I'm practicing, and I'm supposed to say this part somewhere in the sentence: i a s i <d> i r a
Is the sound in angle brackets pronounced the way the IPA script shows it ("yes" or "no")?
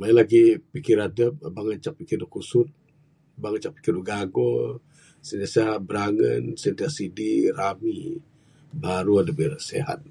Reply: yes